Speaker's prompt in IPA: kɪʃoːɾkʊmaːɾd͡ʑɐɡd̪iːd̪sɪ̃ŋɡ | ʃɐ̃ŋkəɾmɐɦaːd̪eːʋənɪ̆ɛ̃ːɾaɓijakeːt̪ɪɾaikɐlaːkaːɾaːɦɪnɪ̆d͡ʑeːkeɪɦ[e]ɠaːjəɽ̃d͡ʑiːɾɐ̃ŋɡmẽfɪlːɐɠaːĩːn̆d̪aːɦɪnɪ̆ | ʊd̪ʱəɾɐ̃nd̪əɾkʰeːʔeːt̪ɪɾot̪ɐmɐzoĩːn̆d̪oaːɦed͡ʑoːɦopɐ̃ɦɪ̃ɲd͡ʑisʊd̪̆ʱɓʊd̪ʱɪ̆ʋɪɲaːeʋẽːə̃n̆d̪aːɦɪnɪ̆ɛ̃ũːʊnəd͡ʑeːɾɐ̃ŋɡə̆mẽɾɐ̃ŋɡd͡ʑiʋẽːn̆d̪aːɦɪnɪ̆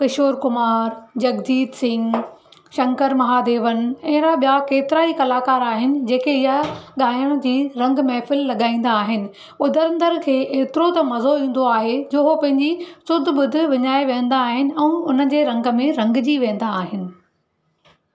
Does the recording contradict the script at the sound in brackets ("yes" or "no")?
yes